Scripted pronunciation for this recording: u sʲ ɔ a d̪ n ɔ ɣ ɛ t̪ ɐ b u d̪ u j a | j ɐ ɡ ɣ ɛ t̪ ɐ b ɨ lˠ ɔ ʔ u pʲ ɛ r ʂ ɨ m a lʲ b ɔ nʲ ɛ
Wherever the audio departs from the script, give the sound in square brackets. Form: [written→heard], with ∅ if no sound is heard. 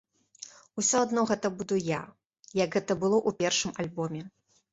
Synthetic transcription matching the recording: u sʲ ɔ a d̪ n ɔ ɣ ɛ t̪ ɐ b u d̪ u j a | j ɐ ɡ ɣ ɛ t̪ ɐ b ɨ lˠ ɔ ʔ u pʲ ɛ r ʂ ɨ m a lʲ b ɔ [nʲ→mʲ] ɛ